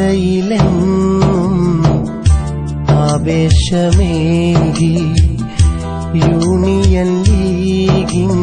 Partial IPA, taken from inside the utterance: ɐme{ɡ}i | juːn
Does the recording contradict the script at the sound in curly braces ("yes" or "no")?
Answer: no